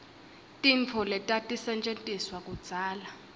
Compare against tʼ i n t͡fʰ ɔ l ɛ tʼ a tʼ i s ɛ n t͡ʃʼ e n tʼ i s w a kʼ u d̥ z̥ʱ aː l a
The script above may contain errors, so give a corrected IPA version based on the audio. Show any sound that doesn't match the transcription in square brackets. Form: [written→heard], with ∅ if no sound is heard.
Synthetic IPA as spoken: tʼ i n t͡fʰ ɔ l ɛ tʼ a tʼ i s ɛ n t͡ʃʼ e n tʼ i s w a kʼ u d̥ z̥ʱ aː l a